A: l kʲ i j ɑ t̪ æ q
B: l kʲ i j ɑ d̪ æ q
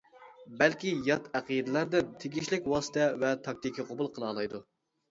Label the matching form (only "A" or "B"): A